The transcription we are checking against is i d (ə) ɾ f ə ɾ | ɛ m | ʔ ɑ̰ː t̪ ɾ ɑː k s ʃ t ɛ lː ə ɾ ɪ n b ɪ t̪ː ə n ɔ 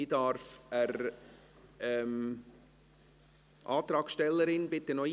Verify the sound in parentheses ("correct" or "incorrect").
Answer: incorrect